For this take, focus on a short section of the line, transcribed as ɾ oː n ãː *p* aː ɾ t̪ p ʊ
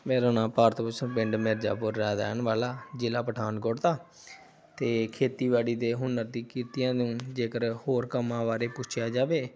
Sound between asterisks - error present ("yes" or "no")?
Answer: no